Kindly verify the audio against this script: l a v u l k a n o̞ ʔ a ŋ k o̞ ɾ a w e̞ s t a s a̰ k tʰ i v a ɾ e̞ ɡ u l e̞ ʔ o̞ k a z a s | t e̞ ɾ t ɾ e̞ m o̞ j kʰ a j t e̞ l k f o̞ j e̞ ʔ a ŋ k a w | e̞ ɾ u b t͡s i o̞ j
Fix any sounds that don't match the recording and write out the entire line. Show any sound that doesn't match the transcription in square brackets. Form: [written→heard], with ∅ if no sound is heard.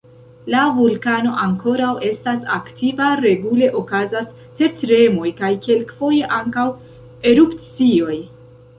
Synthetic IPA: l a v u l k a n o̞ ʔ a ŋ k o̞ ɾ a w e̞ s t a s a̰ k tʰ i v a ɾ e̞ ɡ u l e̞ ʔ o̞ k a z a s | t e̞ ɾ t ɾ e̞ m o̞ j [kʰ→k] a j [t→k] e̞ l k f o̞ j e̞ ʔ a ŋ k a w | e̞ ɾ u [b→p] t͡s i o̞ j